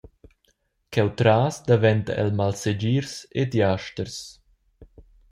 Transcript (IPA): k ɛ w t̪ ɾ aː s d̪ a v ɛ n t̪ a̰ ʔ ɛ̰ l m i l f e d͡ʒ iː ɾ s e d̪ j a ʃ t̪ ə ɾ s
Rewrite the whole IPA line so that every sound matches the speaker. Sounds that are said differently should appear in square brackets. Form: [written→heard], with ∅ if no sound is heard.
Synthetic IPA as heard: k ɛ w t̪ ɾ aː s d̪ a v ɛ n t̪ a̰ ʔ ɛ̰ l m [i→a] l [f→s] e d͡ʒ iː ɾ s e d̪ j a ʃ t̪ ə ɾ s